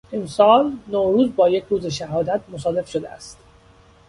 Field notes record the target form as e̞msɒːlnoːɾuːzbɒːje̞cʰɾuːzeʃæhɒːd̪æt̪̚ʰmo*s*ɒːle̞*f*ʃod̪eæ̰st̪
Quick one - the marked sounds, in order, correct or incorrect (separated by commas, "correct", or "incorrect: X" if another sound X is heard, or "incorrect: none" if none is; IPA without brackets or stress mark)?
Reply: correct, correct